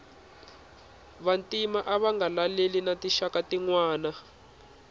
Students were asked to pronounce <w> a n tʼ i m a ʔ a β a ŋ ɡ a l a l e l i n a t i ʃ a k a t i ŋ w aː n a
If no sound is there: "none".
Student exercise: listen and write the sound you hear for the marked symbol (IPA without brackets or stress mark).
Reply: β